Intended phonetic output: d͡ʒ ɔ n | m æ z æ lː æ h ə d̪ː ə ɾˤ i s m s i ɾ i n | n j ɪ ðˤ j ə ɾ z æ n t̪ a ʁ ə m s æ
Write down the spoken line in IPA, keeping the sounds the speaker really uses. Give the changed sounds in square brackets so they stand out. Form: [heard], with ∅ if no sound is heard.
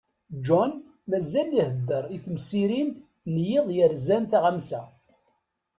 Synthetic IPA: d͡ʒ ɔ n | m æ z æ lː [i] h ə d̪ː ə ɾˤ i [θ] m s i ɾ i n | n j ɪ ðˤ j ə ɾ z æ n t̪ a ʁ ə m s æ